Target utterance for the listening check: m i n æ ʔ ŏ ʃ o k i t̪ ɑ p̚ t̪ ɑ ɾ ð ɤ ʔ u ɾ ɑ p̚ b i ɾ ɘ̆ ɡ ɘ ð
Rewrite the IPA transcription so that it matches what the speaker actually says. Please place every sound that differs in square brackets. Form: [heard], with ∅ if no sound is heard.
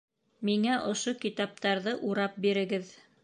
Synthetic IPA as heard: m i [ŋ] æ ʔ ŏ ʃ o k i t̪ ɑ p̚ t̪ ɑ ɾ ð ɤ ʔ u ɾ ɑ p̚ b i ɾ ɘ̆ ɡ ɘ ð